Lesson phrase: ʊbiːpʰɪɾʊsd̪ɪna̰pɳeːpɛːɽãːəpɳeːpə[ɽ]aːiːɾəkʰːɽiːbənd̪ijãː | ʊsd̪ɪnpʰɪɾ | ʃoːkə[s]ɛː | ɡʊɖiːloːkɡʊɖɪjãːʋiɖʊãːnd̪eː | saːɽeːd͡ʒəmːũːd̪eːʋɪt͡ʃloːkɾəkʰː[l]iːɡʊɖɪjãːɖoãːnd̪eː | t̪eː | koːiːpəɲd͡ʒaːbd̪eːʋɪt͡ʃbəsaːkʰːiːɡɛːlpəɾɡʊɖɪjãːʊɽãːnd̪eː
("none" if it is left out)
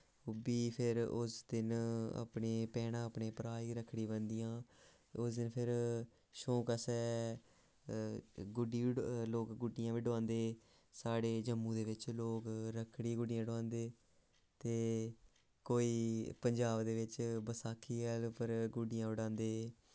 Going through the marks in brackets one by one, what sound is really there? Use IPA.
ɾ, s, ɽ

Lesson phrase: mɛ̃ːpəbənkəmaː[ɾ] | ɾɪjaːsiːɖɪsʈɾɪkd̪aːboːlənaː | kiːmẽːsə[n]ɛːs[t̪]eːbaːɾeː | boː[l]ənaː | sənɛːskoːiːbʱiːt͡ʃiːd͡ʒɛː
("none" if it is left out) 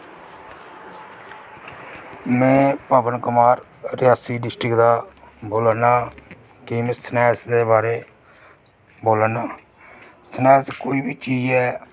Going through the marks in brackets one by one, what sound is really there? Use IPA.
ɾ, n, d̪, l

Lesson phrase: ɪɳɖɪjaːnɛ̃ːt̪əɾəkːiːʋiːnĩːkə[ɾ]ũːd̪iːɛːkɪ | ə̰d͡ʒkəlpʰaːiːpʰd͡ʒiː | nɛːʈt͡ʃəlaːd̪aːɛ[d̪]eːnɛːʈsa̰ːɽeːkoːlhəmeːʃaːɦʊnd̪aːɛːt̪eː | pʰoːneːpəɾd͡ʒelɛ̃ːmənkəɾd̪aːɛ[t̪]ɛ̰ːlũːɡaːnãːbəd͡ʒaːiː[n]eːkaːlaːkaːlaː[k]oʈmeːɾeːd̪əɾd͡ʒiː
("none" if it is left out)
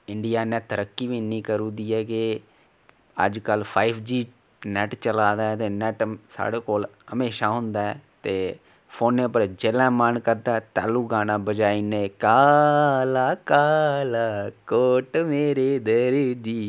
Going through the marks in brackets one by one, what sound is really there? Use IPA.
ɾ, t̪, t̪, n, k

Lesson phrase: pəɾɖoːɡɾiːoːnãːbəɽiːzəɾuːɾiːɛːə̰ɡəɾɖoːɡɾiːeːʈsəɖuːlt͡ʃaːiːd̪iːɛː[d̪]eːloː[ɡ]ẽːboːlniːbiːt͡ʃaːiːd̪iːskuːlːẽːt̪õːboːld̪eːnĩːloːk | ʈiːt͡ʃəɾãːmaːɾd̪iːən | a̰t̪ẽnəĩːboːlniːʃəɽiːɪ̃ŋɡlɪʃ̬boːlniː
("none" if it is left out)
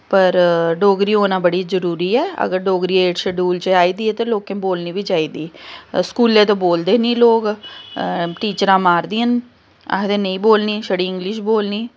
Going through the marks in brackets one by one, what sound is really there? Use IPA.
t̪, k

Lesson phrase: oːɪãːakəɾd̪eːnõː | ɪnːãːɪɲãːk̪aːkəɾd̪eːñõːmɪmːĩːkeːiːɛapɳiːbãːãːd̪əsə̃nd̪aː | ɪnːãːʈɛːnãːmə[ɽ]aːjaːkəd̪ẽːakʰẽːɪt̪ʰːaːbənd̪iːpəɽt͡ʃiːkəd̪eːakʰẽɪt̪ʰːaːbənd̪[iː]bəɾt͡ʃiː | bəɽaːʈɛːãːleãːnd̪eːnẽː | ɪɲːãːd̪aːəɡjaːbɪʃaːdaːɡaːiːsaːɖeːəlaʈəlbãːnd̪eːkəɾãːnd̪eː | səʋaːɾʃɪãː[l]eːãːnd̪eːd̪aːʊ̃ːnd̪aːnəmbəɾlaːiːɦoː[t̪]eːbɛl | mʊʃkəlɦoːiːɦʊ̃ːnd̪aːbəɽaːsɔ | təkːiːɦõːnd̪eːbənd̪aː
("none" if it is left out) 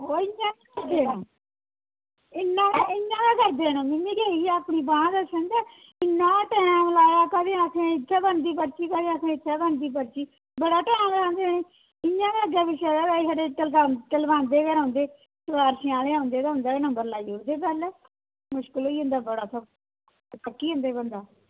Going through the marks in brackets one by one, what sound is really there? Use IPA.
l, iː, l, d̪

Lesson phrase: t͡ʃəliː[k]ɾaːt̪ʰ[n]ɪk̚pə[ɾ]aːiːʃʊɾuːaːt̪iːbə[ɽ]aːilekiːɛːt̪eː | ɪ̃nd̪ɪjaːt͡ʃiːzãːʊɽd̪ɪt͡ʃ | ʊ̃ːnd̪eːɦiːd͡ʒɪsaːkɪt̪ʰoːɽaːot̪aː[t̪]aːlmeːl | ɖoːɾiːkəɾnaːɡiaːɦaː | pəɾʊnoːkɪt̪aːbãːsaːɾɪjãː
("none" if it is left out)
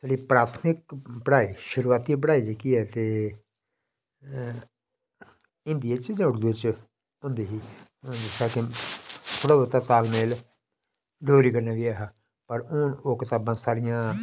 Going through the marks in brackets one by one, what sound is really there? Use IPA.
p, m, ɽ, ɽ, t̪

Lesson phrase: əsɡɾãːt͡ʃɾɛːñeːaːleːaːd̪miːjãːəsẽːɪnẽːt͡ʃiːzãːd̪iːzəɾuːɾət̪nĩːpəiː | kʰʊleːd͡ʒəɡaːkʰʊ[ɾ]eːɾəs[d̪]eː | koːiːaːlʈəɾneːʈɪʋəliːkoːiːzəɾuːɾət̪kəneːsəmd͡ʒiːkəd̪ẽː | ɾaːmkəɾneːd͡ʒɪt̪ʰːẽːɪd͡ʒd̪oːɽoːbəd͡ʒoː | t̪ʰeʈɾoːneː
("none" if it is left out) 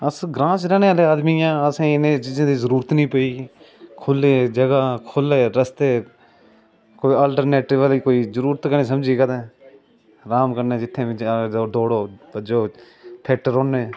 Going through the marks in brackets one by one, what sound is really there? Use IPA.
l, t̪

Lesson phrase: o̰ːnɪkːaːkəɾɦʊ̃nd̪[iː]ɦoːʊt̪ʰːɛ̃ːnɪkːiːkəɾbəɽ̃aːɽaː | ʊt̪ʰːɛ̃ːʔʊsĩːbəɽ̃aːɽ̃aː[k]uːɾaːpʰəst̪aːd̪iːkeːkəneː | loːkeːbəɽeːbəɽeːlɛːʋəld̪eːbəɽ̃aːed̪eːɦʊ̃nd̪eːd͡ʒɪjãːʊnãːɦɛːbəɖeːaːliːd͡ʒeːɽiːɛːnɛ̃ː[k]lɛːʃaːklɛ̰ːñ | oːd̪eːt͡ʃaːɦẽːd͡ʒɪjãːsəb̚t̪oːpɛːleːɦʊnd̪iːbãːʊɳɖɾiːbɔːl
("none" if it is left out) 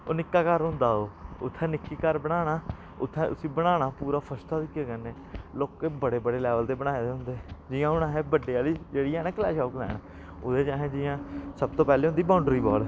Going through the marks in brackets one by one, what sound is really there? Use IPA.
aː, p, k

